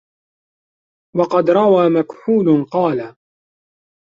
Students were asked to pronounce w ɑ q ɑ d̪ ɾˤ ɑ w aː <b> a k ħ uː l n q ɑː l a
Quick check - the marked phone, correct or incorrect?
incorrect